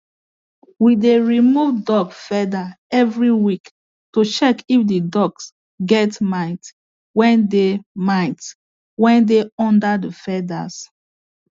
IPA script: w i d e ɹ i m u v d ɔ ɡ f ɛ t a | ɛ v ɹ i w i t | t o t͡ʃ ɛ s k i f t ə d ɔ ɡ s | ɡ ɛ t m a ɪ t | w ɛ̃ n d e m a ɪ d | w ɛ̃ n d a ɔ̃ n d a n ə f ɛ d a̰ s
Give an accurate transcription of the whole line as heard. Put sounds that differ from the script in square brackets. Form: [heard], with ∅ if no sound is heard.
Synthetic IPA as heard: w i d e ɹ i m u v d ɔ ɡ f ɛ [d] a | ɛ v ɹ i w i [k] | t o t͡ʃ ɛ [∅] k i f [d] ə d ɔ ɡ s | ɡ ɛ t m a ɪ t | w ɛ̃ n d e m a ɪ [t] | w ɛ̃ n d [e] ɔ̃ n d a [d] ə f ɛ d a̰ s

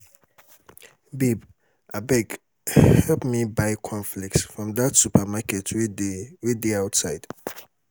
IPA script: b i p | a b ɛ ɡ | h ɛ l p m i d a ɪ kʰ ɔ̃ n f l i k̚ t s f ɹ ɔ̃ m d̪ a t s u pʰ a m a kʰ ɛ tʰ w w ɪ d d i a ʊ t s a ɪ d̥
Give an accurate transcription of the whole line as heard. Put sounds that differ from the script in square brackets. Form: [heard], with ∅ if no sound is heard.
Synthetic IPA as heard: b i [b] | a b ɛ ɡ | h ɛ l p m i [b] a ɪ kʰ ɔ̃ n f l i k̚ t s f ɹ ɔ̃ m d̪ a t s u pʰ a m a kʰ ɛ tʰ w w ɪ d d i a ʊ t s a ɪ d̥

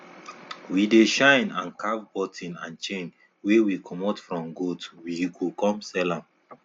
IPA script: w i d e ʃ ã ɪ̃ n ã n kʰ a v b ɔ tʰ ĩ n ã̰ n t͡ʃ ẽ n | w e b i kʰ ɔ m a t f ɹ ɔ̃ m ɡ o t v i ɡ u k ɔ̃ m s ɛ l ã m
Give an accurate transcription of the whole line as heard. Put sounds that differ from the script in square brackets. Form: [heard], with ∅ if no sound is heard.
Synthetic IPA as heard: w i d e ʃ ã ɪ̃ n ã n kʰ a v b ɔ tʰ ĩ n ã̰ n t͡ʃ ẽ n | w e [w] i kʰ ɔ m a t f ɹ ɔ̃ m ɡ o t [w] i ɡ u k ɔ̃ m s ɛ l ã m

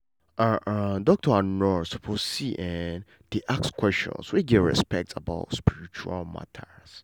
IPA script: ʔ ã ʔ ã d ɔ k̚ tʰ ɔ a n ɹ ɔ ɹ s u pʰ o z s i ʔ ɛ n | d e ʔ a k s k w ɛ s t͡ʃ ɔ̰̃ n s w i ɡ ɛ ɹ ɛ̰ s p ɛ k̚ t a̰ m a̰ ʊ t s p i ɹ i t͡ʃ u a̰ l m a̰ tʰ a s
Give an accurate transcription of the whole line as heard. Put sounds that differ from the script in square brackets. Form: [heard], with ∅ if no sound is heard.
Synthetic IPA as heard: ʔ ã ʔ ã d ɔ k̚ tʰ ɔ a n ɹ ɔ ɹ s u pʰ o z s i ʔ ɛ n | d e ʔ a k s k w ɛ s t͡ʃ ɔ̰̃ n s w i ɡ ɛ ɹ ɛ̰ s p ɛ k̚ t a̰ [b] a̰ ʊ t s p i ɹ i t͡ʃ u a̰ l m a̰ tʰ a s

